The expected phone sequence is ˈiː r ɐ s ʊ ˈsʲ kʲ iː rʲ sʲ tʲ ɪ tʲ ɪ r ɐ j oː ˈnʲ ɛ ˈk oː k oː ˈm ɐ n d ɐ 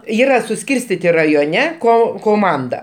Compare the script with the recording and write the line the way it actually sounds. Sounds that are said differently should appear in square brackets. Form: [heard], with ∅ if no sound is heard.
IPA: ˈiː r ɐ s ʊ ˈsʲ kʲ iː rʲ sʲ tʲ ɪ tʲ ɪ r ɐ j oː ˈnʲ ɛ ˈk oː k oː ˈm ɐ n d ɐ